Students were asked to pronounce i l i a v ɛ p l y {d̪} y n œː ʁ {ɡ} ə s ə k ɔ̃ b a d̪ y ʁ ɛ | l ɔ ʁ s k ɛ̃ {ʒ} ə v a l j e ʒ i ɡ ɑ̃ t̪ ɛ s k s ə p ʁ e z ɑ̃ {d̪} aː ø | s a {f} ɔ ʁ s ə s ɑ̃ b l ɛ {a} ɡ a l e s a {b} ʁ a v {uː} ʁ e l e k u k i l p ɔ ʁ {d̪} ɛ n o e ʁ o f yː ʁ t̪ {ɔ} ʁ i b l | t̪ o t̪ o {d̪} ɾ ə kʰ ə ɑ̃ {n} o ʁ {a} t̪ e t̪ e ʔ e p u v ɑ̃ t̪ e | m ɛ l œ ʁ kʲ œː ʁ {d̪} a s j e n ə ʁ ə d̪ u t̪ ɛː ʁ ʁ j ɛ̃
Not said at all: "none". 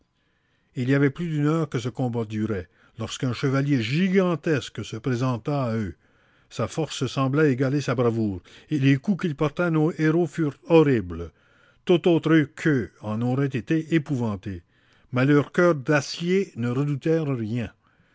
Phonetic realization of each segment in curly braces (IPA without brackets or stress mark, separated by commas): d̪, k, ʃ, t̪, f, e, b, uː, t̪, ɔ, t̪, n, ɛ, d̪